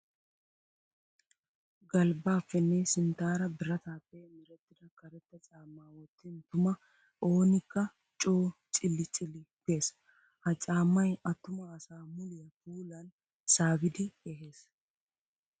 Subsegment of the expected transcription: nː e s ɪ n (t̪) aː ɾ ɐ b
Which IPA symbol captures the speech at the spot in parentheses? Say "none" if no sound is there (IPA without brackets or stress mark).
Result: t̪